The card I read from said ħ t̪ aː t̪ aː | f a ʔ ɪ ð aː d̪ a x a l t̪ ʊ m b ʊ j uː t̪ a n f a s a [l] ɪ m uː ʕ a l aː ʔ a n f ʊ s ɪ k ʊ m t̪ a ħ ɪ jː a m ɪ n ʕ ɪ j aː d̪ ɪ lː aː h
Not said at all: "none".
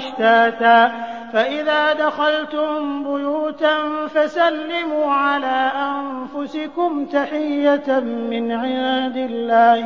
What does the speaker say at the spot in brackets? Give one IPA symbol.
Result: lː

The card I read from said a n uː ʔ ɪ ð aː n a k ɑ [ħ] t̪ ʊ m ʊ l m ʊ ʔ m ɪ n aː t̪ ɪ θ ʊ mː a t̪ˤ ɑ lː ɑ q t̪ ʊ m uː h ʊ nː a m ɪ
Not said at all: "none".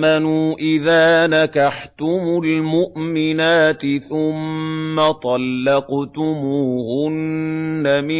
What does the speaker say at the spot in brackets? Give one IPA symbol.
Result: ħ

